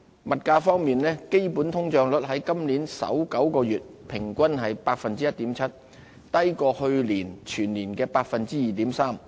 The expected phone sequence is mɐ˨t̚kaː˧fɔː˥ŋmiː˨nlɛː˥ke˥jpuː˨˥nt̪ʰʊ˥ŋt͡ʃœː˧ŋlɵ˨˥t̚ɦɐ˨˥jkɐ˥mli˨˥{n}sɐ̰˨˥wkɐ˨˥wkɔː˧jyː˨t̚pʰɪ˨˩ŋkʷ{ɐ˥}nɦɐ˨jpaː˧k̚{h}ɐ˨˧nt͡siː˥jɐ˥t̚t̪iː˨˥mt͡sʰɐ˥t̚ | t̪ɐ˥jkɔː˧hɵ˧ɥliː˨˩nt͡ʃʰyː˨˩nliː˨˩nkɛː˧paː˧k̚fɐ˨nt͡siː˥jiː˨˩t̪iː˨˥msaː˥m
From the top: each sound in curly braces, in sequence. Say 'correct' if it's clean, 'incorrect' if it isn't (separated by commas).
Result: correct, correct, incorrect